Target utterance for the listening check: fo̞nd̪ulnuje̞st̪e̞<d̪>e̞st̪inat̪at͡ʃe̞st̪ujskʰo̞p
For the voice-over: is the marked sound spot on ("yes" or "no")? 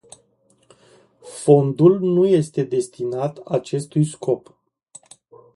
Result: yes